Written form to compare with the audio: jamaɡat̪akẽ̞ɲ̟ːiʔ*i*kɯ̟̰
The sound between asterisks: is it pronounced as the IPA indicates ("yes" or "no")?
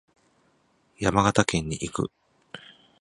yes